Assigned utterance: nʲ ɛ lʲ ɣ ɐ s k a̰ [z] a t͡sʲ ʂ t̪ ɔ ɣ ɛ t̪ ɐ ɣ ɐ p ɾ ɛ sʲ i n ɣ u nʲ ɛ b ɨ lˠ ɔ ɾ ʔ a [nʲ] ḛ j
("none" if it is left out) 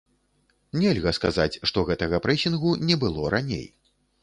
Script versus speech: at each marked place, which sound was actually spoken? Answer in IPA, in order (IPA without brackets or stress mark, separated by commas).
z, nʲ